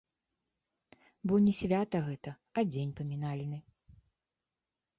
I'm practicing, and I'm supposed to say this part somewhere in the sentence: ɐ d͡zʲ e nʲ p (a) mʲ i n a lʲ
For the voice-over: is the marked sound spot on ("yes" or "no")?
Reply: no